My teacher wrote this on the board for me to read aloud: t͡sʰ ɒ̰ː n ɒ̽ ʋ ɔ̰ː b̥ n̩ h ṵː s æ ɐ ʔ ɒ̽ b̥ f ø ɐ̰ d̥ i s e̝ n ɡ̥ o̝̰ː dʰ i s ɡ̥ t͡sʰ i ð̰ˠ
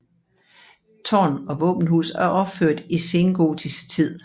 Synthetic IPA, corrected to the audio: t͡sʰ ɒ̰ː n ɒ̽ ʋ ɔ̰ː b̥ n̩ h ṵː s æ ɐ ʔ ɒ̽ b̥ f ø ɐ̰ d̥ i s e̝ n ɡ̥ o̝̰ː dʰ i s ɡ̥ t͡sʰ i ð̰ˠ